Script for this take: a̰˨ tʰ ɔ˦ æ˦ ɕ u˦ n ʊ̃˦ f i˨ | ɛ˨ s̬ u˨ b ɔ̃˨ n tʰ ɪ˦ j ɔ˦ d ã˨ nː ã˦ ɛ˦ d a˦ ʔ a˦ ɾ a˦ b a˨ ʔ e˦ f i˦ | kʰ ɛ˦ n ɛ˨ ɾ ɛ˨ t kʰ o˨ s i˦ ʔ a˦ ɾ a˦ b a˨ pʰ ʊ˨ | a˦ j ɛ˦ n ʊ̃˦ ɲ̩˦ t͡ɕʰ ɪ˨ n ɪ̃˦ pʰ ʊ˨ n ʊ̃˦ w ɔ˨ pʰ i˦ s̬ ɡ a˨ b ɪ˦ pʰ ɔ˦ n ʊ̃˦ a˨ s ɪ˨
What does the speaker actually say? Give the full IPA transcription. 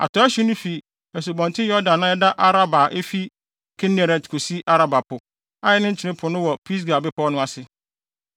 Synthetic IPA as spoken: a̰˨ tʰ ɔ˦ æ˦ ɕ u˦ n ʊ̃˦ f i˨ | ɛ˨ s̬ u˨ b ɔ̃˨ n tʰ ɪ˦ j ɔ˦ d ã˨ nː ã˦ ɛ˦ d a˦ ʔ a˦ ɾ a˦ b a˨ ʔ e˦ f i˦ | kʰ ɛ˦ n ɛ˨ ɾ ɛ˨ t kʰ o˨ s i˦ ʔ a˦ ɾ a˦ b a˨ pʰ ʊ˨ | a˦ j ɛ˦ n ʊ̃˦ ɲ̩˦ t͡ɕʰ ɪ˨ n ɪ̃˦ pʰ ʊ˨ n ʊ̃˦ w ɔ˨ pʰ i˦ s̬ ɡ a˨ b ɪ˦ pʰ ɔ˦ n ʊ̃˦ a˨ s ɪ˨